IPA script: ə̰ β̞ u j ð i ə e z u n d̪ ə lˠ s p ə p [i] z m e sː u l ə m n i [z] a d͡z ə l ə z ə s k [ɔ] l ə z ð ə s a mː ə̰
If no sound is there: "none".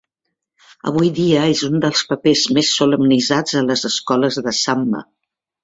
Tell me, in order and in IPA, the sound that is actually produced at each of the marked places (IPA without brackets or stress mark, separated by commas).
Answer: e, z, ɔ